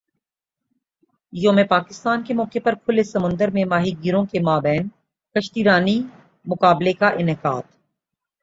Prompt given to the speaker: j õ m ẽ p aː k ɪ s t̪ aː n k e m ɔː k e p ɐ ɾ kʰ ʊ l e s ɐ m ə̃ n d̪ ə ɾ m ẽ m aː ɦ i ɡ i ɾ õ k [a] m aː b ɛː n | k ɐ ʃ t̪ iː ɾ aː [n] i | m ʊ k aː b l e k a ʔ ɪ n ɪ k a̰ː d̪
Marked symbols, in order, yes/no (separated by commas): no, yes